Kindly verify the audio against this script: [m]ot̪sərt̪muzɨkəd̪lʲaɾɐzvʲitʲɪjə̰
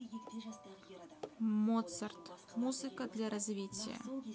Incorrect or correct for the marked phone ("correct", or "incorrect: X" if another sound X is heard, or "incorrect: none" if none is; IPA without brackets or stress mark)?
correct